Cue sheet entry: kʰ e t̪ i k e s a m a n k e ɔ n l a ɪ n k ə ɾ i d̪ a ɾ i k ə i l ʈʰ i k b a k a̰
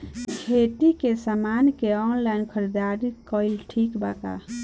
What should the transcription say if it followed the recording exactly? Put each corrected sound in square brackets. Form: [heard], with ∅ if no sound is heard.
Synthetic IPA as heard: kʰ e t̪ i k e s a m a n k e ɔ n l a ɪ n [kʰ] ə ɾ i d̪ a ɾ i k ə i l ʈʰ i k b a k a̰

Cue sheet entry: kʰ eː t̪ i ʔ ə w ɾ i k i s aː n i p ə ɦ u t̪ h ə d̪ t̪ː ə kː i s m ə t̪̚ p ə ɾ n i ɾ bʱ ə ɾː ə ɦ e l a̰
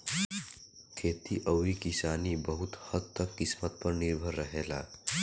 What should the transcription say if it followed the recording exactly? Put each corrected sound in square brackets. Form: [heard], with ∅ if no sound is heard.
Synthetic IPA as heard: kʰ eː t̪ i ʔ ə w ɾ i k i s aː n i [b] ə ɦ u t̪ h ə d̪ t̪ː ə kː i s m ə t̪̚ p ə ɾ n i ɾ bʱ ə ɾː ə ɦ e l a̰

